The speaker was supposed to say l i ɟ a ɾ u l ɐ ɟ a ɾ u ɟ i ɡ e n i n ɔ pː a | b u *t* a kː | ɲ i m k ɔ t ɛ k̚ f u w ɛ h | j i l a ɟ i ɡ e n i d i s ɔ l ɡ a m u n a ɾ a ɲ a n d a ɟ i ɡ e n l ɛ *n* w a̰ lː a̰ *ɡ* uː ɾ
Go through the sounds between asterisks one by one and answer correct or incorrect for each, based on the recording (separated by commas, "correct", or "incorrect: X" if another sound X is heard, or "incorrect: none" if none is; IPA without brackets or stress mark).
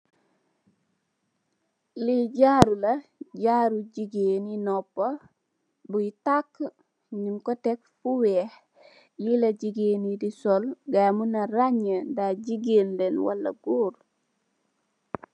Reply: correct, correct, correct